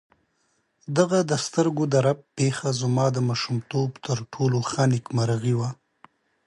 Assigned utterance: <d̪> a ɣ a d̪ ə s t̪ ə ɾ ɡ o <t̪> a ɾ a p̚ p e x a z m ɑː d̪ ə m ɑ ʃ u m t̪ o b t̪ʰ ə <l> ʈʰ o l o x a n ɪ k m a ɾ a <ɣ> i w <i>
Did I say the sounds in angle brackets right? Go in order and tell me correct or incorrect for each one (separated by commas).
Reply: correct, incorrect, incorrect, correct, incorrect